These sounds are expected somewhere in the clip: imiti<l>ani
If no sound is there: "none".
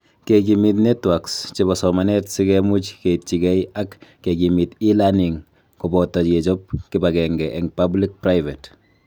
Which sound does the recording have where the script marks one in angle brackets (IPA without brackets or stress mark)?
l